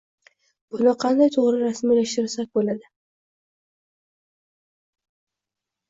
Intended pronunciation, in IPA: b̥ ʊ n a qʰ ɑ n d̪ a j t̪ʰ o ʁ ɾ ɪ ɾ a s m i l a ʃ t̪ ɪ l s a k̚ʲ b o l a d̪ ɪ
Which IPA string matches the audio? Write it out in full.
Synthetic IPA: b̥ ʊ n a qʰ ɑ n d̪ a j t̪ʰ o ʁ ɾ ɪ ɾ a s m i l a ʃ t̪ ɪ ɾ s a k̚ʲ b o l a d̪ ɪ